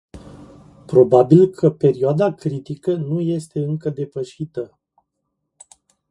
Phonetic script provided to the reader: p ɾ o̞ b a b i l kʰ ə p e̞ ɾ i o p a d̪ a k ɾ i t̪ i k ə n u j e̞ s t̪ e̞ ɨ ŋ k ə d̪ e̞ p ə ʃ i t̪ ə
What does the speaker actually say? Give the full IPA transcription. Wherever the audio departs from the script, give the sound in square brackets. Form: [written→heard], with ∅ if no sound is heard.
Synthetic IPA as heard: p ɾ o̞ b a b i l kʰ ə p e̞ ɾ i o [p→∅] a d̪ a k ɾ i t̪ i k ə n u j e̞ s t̪ e̞ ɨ ŋ k ə d̪ e̞ p ə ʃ i t̪ ə